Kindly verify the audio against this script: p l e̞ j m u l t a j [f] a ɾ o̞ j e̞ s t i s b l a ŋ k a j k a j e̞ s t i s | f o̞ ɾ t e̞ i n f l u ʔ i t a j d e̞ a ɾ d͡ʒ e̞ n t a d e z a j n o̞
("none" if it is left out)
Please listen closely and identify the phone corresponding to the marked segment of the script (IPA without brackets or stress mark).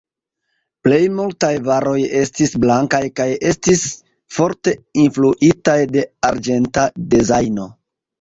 v